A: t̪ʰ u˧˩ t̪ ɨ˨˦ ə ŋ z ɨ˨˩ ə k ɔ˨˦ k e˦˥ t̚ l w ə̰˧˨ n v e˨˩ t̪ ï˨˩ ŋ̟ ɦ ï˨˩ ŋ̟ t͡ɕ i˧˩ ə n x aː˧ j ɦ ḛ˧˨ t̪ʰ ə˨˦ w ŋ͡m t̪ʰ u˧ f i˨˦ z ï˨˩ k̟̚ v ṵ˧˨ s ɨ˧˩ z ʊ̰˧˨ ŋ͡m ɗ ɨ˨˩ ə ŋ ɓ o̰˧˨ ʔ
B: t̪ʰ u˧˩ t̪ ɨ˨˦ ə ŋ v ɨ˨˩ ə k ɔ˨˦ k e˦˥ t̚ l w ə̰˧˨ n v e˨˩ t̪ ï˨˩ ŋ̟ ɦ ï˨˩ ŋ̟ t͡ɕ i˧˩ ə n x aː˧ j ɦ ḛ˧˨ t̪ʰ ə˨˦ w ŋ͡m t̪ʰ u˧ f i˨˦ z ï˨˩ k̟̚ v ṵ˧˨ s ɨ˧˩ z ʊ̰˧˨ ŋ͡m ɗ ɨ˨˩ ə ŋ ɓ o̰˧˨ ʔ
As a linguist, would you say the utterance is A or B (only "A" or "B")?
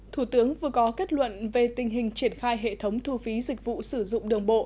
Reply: B